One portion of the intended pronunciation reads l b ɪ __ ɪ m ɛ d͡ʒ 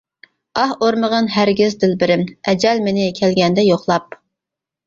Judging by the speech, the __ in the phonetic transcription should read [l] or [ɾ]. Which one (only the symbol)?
ɾ